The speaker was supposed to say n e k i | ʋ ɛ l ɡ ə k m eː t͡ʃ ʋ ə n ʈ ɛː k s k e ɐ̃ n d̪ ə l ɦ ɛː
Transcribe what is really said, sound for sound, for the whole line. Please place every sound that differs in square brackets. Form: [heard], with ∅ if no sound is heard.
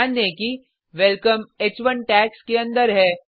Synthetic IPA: n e k i | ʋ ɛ l [k] ə [∅] m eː t͡ʃ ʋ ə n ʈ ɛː k s k e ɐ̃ n d̪ ə [ɾ] ɦ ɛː